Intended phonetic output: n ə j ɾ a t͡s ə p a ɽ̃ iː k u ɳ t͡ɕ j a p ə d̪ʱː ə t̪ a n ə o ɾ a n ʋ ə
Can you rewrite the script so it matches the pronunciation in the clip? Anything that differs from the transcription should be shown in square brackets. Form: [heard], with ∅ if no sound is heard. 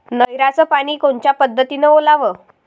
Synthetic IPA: n ə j ɾ a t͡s ə p a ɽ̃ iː k [o] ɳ t͡ɕ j a p ə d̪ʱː ə t̪ [i] n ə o [l] a [∅] ʋ ə